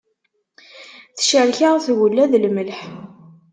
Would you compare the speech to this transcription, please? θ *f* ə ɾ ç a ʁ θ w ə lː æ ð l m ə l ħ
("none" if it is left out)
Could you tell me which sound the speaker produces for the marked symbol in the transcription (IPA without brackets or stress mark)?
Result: ʃ